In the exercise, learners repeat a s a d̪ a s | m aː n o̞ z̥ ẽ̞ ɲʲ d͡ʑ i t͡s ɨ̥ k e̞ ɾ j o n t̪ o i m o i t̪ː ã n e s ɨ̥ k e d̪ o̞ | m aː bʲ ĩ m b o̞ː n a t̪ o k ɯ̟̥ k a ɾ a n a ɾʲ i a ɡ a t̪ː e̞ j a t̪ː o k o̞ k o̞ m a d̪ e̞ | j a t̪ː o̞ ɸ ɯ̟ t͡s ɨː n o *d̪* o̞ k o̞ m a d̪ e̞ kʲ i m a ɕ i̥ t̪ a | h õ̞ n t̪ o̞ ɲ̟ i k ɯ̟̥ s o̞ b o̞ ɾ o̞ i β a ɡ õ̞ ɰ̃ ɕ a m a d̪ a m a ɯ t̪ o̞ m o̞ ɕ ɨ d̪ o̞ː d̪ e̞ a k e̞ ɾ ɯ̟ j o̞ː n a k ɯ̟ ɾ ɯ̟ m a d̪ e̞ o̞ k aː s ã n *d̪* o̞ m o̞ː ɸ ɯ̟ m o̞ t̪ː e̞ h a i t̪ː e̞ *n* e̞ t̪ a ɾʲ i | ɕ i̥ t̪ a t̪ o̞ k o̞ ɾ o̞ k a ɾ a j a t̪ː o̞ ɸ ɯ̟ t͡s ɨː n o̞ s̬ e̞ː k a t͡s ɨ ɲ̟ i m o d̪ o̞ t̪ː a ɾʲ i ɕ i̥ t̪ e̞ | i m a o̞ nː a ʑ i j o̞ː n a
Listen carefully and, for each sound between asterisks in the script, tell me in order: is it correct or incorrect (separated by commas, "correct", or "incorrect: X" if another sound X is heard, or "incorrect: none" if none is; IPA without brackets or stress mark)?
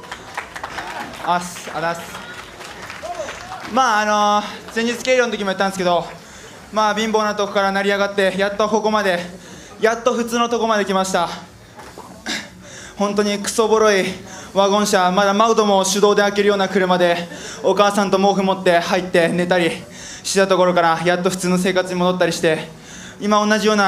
incorrect: t̪, incorrect: t̪, correct